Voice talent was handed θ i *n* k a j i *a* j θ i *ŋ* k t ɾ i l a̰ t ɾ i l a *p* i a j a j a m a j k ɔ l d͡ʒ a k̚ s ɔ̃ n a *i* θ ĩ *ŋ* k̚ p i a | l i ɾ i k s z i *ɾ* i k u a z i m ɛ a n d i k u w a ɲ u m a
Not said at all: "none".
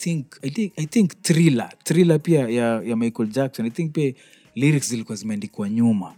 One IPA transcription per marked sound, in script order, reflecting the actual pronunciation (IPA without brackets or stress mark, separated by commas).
ŋ, a, ŋ, p, j, ŋ, l